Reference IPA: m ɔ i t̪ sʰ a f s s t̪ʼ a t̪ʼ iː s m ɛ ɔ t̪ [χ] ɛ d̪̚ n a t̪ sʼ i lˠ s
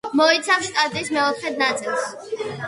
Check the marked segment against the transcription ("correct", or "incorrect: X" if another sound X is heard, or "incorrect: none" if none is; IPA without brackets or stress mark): correct